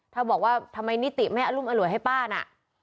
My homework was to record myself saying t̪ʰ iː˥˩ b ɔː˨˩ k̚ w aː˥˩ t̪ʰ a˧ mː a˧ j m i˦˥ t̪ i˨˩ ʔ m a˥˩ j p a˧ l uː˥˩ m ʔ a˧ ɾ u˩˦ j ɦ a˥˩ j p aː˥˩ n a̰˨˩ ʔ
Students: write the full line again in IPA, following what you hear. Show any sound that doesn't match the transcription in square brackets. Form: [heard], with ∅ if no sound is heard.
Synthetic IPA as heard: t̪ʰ [aː˥˩] b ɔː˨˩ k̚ w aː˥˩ t̪ʰ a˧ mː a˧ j [n] i˦˥ t̪ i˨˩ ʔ m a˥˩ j [ʔ] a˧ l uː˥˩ m ʔ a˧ [l] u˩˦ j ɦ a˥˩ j p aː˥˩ n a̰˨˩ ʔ